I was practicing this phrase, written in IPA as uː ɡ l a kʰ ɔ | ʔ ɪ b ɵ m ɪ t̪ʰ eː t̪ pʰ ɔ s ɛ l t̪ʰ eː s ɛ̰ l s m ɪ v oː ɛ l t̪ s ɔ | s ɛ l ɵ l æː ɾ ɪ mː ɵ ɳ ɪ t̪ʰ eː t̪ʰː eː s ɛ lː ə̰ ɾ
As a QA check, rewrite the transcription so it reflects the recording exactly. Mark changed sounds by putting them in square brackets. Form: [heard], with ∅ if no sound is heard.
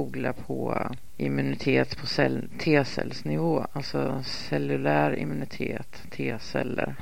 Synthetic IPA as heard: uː ɡ l a [pʰ] ɔ | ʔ ɪ [m] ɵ [n] ɪ t̪ʰ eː t̪ pʰ ɔ s ɛ l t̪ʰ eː s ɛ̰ l s [n] ɪ v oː [a] l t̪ s ɔ | s ɛ l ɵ l æː ɾ ɪ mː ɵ [n] ɪ t̪ʰ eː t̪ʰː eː s ɛ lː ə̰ ɾ